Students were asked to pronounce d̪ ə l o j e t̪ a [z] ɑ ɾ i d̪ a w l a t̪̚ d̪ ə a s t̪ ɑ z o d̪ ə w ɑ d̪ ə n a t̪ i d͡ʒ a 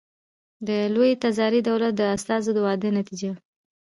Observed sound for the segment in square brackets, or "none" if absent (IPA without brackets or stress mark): z